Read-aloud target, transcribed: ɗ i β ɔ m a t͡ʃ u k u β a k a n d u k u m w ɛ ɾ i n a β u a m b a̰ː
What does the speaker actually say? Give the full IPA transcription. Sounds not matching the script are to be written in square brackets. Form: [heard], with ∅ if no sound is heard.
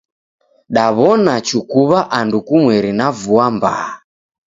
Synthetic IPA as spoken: ɗ [a] β ɔ [n] a t͡ʃ u k u β a [ʔ] a n d u k u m w ɛ ɾ i n a [v] u a m b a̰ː